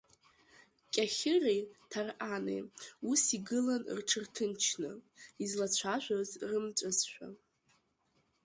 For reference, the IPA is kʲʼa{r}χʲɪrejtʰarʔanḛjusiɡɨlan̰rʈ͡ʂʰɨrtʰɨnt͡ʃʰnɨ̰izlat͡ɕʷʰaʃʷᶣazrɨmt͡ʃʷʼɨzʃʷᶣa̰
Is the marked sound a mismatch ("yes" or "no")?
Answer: yes